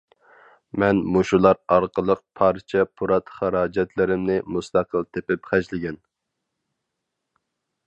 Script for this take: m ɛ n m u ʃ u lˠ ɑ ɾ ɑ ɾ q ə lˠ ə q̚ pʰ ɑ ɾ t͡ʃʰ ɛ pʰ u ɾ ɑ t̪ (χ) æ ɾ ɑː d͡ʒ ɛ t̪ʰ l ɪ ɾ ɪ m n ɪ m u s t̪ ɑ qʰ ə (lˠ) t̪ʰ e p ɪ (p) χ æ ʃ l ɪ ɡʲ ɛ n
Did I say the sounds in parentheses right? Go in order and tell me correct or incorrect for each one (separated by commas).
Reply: correct, correct, correct